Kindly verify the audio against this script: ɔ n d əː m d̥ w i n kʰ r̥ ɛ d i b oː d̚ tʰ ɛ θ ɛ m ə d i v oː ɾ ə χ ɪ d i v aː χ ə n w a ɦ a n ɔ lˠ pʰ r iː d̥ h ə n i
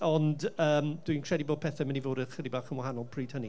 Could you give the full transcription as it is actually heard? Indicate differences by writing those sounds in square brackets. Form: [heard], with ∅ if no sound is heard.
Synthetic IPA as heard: ɔ n d əː m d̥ w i n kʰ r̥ ɛ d i b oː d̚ [pʰ] ɛ θ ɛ m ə [n] i v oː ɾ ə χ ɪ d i [b] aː χ ə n w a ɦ a n ɔ lˠ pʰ r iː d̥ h ə n i